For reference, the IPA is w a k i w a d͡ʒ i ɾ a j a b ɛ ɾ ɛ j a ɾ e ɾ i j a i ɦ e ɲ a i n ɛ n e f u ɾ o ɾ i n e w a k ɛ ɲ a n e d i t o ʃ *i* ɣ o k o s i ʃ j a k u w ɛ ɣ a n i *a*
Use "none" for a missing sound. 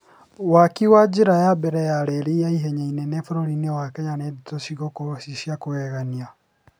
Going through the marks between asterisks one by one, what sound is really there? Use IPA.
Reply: i, a

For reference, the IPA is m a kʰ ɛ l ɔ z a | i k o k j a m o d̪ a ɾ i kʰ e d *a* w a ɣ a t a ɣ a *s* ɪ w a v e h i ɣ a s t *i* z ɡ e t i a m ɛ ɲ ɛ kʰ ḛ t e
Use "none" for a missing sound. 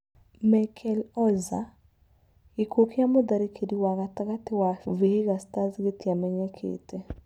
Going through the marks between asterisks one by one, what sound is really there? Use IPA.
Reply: i, t, a

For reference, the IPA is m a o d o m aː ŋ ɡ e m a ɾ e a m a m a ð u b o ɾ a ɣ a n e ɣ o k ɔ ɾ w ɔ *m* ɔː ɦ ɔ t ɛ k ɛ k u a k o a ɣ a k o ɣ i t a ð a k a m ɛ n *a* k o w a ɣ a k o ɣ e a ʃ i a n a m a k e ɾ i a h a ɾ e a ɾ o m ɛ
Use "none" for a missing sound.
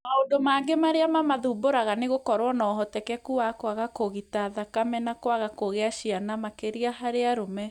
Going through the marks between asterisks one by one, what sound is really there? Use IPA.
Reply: n, a

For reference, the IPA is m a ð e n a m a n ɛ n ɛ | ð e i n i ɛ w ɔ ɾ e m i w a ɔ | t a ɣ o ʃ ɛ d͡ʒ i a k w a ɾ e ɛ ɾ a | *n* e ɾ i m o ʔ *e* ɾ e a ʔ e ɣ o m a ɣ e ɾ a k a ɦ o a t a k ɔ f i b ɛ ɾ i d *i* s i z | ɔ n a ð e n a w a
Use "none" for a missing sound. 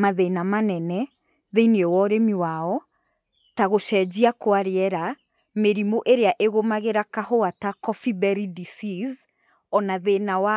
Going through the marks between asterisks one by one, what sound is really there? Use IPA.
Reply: m, e, i

